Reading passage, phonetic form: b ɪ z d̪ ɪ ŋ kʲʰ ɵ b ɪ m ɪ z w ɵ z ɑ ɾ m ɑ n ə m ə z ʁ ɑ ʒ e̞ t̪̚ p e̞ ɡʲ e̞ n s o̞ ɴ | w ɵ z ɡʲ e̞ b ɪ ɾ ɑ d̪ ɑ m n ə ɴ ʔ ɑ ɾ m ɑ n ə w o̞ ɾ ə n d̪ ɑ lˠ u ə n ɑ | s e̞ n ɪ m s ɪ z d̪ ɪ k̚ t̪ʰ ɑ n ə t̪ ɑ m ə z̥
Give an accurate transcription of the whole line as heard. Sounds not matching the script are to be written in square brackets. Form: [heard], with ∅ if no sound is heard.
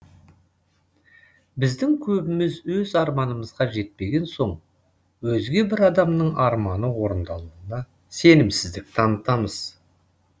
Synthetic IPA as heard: b ɪ z d̪ ɪ ŋ kʲʰ ɵ b ɪ m ɪ z w ɵ z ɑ ɾ m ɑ n ə m ə z ʁ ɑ ʒ e̞ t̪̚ p e̞ ɡʲ e̞ n s o̞ ɴ | w ɵ z ɡʲ e̞ b ɪ ɾ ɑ d̪ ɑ m n ə ɴ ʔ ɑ ɾ m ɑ n ə w o̞ ɾ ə n d̪ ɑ lˠ u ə n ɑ | s e̞ n ɪ m s ɪ z d̪ ɪ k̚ t̪ʰ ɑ n ə t̪ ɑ m ə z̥

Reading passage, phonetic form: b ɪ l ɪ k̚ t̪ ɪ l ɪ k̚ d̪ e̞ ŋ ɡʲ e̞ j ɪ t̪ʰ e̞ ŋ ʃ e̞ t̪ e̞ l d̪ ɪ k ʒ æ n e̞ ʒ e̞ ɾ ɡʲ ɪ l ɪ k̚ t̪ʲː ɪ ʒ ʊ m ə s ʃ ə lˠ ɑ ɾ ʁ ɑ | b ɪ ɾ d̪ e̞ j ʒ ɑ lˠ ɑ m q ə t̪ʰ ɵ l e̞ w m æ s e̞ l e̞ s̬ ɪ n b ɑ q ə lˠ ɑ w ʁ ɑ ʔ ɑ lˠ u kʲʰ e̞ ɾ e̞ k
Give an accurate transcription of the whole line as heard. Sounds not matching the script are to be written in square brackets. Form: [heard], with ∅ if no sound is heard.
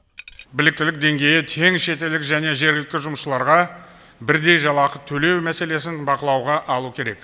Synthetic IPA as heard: b ɪ l ɪ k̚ t̪ ɪ l ɪ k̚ d̪ e̞ ŋ ɡʲ e̞ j ɪ t̪ʰ e̞ ŋ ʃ e̞ t̪ e̞ l d̪ ɪ k ʒ æ n e̞ ʒ e̞ ɾ ɡʲ ɪ l ɪ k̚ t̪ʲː ɪ ʒ ʊ m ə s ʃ ə lˠ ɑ ɾ ʁ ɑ | b ɪ ɾ d̪ e̞ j ʒ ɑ lˠ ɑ [∅] q ə t̪ʰ ɵ l e̞ w m æ s e̞ l e̞ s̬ ɪ n b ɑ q ə lˠ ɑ w ʁ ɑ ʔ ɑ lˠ u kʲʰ e̞ ɾ e̞ k

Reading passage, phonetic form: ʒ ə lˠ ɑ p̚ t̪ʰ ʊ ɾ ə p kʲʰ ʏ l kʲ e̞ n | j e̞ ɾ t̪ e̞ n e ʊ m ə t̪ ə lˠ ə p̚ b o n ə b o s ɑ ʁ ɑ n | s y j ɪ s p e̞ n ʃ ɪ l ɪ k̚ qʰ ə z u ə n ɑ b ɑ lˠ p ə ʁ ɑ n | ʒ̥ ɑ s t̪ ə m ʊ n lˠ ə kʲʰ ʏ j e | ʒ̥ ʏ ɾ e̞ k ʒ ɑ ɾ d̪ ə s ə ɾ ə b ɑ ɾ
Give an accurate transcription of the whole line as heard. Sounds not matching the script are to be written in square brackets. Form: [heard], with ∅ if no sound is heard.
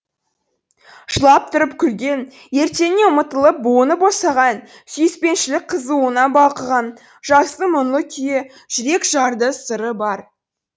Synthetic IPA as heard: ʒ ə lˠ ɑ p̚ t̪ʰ ʊ ɾ ə p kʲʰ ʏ l [ɡʲ] e̞ n | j e̞ ɾ t̪ e̞ n e ʊ m ə t̪ ə lˠ ə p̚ b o n ə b o s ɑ ʁ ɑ n | s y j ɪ s p e̞ n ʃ ɪ l ɪ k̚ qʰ ə z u ə n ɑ b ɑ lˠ [q] ə ʁ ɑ n | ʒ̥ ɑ s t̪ ə m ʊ n lˠ ə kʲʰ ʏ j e | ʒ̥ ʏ ɾ e̞ k ʒ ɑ ɾ d̪ ə s ə ɾ ə b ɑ ɾ

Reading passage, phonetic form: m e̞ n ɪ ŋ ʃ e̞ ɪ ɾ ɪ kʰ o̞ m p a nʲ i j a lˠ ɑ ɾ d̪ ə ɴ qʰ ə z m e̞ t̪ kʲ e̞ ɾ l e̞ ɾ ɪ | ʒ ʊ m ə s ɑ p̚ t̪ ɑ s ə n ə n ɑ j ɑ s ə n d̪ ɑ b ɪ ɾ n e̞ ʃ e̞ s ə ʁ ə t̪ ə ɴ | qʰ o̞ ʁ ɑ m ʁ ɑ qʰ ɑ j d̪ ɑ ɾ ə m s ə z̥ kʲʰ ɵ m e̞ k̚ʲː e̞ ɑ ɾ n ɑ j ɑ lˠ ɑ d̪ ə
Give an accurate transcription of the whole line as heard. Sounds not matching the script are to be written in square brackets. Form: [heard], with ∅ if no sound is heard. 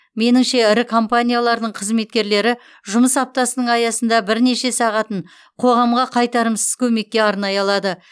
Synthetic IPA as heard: m e̞ n ɪ ŋ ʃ e̞ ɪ ɾ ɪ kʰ o̞ m p a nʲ i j a lˠ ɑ ɾ d̪ ə ɴ qʰ ə z m e̞ t̪ kʲ e̞ ɾ l e̞ ɾ ɪ | ʒ ʊ m ə s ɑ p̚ t̪ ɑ s ə n ə [ɴ] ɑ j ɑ s ə n d̪ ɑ b ɪ ɾ n e̞ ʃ e̞ s [ɑ] ʁ [ɑ] t̪ ə ɴ | qʰ o̞ ʁ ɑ m ʁ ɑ qʰ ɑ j [t̪] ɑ ɾ ə m s ə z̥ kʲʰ ɵ m e̞ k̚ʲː e̞ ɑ ɾ n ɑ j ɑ lˠ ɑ d̪ ə

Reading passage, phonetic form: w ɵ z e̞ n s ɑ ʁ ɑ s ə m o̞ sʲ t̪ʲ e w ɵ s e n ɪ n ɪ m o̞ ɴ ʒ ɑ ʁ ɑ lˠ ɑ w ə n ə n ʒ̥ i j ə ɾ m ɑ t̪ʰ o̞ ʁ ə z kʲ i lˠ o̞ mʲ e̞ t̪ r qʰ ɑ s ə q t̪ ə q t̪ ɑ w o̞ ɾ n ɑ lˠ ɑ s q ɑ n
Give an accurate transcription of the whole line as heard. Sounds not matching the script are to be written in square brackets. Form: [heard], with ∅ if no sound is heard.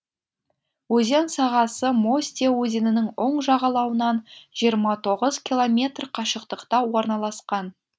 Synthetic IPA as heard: w ɵ z e̞ n s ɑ ʁ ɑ s ə m o̞ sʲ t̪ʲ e w ɵ [z] e n ɪ n ɪ [ŋ] o̞ ɴ ʒ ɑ ʁ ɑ lˠ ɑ w ə n [ɑ] n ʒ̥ i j ə ɾ m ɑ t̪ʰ o̞ ʁ ə z kʲ i lˠ o̞ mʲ e̞ t̪ r qʰ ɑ [ʃ] ə q t̪ ə q t̪ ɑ w o̞ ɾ n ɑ lˠ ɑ s q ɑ n

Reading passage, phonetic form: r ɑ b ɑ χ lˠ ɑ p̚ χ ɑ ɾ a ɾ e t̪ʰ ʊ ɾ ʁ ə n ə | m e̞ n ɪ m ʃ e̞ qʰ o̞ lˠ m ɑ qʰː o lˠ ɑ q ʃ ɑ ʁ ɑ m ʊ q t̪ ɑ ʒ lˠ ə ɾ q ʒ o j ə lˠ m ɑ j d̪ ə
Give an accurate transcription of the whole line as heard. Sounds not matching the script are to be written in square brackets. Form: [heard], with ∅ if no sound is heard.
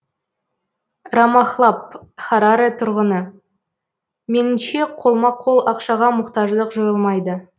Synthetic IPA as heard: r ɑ [m] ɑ χ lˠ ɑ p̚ χ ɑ ɾ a ɾ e t̪ʰ ʊ ɾ ʁ ə n ə | m e̞ n ɪ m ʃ e̞ qʰ o̞ lˠ m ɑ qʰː o lˠ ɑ q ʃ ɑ ʁ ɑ m ʊ q t̪ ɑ ʒ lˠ ə [∅] q ʒ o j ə lˠ m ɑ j d̪ ə

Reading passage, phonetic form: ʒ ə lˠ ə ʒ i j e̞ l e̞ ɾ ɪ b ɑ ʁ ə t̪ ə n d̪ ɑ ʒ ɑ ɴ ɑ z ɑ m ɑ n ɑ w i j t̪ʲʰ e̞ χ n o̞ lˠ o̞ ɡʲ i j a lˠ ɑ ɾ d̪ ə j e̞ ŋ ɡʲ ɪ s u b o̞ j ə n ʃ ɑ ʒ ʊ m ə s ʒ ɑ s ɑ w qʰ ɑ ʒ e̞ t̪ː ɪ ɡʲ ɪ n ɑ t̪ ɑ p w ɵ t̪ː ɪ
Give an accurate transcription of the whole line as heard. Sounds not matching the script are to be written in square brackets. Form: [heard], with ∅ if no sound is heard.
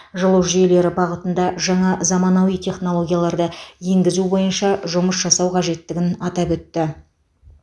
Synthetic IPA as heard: ʒ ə lˠ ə ʒ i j e̞ l e̞ ɾ ɪ b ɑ ʁ ə t̪ ə n d̪ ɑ ʒ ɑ ɴ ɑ z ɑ m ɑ n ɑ w i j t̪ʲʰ e̞ χ n o̞ lˠ o̞ ɡʲ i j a lˠ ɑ ɾ d̪ ə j e̞ ŋ ɡʲ ɪ [z] u b o̞ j ə n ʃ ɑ ʒ ʊ m ə s ʒ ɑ s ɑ w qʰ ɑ ʒ e̞ t̪ː ɪ ɡʲ ɪ n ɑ t̪ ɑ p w ɵ t̪ː ɪ

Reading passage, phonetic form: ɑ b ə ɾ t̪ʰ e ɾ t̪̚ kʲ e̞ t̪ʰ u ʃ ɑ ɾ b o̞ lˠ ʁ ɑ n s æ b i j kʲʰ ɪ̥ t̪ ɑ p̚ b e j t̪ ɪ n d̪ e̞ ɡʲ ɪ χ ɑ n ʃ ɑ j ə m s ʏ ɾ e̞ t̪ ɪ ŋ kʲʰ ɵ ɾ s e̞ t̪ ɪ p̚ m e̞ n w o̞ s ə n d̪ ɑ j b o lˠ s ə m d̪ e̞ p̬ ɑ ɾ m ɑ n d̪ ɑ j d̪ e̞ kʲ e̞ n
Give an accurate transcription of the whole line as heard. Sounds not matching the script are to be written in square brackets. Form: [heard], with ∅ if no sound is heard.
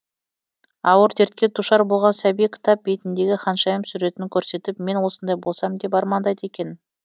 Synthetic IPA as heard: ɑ [w] ə ɾ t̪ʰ e ɾ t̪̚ kʲ e̞ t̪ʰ u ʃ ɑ ɾ b o̞ lˠ ʁ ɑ n s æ b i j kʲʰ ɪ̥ t̪ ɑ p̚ b e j t̪ ɪ n d̪ e̞ ɡʲ ɪ χ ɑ n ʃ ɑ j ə m s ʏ ɾ e̞ t̪ ɪ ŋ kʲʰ ɵ ɾ s e̞ t̪ ɪ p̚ m e̞ n w o̞ s ə n d̪ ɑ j b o lˠ s [ɑ] m d̪ e̞ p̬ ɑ ɾ m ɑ n d̪ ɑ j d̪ e̞ kʲ e̞ n

